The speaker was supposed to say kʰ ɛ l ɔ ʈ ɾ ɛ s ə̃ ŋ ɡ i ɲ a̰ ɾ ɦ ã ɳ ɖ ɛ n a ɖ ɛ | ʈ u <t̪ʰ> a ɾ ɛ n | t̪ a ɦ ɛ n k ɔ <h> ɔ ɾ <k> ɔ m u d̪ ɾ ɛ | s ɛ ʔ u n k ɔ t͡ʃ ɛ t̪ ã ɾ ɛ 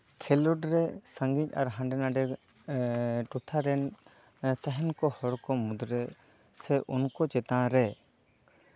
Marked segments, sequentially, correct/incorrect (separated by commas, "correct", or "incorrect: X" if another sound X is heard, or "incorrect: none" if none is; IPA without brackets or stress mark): correct, correct, correct